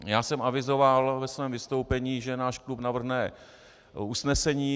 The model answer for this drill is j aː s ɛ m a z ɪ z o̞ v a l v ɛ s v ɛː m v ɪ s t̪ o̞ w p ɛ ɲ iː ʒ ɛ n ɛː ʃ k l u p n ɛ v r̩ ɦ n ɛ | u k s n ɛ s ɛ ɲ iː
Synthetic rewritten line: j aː s ɛ m a v ɪ z o̞ v a l v ɛ s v ɛː m v ɪ s t̪ o̞ w p ɛ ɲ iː ʒ ɛ n aː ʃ k l u p n a v r̩ ɦ n ɛ | u s n ɛ s ɛ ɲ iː